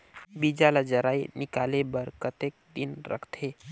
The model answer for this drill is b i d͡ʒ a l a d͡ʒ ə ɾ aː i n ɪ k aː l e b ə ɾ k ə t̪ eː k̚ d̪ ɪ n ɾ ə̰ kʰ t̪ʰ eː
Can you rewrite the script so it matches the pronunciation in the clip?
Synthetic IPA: b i d͡ʒ a l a d͡ʒ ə ɾ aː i n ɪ k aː l e b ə ɾ k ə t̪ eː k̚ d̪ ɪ n ɾ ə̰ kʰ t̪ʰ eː